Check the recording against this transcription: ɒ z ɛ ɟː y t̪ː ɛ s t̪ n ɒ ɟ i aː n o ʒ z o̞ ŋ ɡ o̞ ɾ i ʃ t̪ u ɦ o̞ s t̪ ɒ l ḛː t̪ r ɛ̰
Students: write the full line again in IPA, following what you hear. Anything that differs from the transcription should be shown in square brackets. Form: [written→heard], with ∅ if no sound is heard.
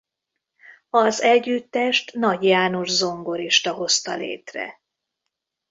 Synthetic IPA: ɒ z ɛ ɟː y t̪ː ɛ [s→ʃ] t̪ n ɒ ɟ [i→j] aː n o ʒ z o̞ ŋ ɡ o̞ ɾ i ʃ t̪ [u→ɒ] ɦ o̞ s t̪ ɒ l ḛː t̪ r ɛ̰

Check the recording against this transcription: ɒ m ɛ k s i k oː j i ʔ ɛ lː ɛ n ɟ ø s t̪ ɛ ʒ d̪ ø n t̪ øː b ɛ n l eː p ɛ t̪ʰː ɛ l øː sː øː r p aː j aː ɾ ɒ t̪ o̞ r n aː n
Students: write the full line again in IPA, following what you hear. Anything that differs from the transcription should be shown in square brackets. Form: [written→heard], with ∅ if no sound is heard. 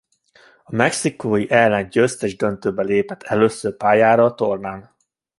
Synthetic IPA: ɒ m ɛ k s i k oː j i ʔ ɛ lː ɛ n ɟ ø s t̪ ɛ ʒ d̪ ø n t̪ øː b ɛ [n→∅] l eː p ɛ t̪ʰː ɛ l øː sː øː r p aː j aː ɾ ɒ t̪ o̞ r n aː n

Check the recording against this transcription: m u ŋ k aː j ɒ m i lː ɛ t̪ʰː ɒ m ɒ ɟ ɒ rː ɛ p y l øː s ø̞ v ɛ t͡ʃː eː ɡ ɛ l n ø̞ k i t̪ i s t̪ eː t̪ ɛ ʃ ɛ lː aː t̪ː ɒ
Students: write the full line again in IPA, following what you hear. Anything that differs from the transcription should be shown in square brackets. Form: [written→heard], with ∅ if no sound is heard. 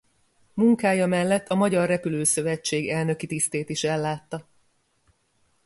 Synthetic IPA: m u ŋ k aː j ɒ m [i→ɛ] lː ɛ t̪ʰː ɒ m ɒ ɟ ɒ rː ɛ p y l øː s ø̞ v ɛ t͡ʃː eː ɡ ɛ l n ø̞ k i t̪ i s t̪ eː t̪ [ɛ→i] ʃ ɛ lː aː t̪ː ɒ

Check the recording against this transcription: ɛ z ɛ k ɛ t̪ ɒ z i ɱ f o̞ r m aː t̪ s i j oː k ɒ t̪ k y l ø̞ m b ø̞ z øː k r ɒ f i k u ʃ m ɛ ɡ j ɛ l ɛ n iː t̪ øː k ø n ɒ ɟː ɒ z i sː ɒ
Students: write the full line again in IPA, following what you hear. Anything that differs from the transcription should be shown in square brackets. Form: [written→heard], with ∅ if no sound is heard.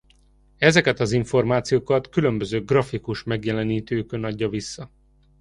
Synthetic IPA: ɛ z ɛ k ɛ t̪ ɒ z i ɱ f o̞ r m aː t̪ s i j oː k ɒ t̪ k y l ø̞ m b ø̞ z øː [k→ɡ] r ɒ f i k u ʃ m ɛ ɡ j ɛ l ɛ n iː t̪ øː k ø n ɒ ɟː ɒ [z→v] i sː ɒ

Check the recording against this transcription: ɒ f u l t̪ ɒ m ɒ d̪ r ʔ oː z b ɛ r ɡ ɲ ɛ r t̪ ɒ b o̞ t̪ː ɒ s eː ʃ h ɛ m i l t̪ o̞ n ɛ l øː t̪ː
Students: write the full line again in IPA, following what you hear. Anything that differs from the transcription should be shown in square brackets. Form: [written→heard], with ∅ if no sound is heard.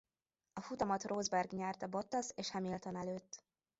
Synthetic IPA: ɒ f u [l→∅] t̪ ɒ m ɒ [d̪→t̪] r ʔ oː z b ɛ r ɡ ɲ ɛ r t̪ ɒ b o̞ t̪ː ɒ s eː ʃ h ɛ m i l t̪ o̞ n ɛ l øː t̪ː

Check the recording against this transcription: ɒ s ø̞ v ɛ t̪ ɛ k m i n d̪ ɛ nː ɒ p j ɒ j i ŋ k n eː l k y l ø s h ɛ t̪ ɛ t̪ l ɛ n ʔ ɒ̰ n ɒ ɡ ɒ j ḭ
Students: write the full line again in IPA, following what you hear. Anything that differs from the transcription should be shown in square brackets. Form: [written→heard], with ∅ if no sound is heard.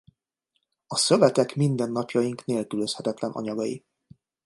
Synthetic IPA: ɒ s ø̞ v ɛ t̪ ɛ k m i n d̪ ɛ nː ɒ p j ɒ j i ŋ k n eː l k y l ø s h ɛ t̪ ɛ t̪ l ɛ n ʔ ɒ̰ [n→ɲ] ɒ ɡ ɒ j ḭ

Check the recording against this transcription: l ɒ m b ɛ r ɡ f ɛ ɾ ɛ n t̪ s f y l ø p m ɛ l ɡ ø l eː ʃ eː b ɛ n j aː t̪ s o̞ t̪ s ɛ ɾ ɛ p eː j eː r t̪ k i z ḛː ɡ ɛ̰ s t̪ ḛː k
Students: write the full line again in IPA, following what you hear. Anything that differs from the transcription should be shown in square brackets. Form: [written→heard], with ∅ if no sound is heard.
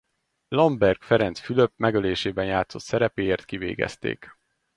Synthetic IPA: l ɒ m b ɛ r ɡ f ɛ ɾ ɛ n t̪ s f y l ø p m ɛ [l→∅] ɡ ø l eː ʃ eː b ɛ n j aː t̪ s o̞ t̪ s ɛ ɾ ɛ p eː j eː r t̪ k i [z→v] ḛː ɡ ɛ̰ s t̪ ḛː k

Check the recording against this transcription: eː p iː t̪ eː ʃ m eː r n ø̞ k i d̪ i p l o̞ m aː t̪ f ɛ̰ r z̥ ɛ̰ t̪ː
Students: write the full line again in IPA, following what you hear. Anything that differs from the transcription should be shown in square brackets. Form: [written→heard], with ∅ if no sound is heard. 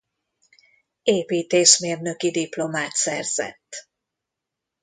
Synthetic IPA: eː p iː t̪ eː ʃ m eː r n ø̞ k i d̪ i p l o̞ m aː t̪ [f→s] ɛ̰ r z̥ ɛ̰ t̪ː

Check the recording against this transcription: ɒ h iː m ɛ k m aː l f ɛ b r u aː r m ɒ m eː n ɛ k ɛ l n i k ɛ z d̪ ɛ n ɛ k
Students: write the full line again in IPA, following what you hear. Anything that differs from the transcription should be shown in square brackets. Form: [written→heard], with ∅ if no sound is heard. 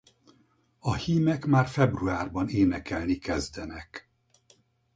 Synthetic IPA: ɒ h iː m ɛ k m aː [l→r] f ɛ b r u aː r [m→b] ɒ [m→n] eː n ɛ k ɛ l n i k ɛ z d̪ ɛ n ɛ k

